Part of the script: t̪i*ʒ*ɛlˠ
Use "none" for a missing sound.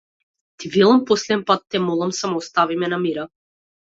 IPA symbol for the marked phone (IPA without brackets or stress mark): v